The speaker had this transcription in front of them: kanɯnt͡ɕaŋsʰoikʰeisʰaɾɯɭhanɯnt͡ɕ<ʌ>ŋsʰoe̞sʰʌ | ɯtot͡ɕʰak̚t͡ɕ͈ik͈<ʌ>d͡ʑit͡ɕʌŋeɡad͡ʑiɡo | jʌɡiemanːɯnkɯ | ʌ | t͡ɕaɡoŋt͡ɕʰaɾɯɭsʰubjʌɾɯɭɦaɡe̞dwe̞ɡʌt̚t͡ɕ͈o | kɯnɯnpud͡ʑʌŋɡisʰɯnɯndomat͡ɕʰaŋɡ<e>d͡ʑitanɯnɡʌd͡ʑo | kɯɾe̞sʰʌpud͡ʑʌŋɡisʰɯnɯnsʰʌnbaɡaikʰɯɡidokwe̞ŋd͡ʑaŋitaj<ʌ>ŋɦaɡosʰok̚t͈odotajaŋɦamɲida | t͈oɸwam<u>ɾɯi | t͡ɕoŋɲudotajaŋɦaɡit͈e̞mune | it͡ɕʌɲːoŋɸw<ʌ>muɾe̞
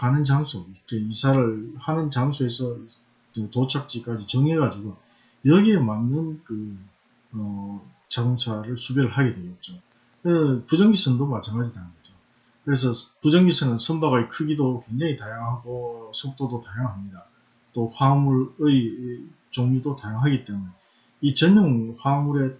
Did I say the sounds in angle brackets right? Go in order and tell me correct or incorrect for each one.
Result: incorrect, incorrect, incorrect, incorrect, correct, incorrect

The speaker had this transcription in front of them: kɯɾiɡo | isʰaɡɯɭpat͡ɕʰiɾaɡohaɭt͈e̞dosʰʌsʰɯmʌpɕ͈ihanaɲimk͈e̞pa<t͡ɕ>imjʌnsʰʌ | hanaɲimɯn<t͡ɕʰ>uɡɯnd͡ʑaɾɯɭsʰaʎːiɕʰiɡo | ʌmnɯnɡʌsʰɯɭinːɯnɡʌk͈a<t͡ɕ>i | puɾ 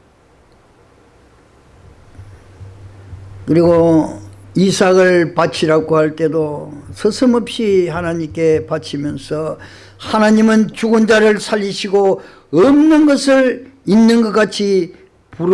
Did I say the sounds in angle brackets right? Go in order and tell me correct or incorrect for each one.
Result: incorrect, incorrect, incorrect

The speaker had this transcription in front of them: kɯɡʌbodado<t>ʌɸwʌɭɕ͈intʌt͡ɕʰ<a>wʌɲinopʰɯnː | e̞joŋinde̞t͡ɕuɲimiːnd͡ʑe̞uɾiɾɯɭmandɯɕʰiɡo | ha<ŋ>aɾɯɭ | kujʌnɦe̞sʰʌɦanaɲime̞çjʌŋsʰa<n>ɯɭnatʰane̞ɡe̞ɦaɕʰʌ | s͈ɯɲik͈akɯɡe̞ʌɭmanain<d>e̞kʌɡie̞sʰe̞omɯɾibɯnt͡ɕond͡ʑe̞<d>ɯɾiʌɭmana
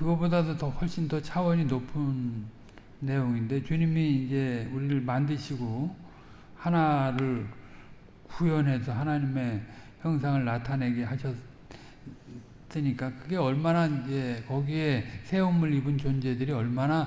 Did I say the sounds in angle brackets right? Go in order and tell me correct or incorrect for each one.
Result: correct, correct, incorrect, incorrect, incorrect, correct

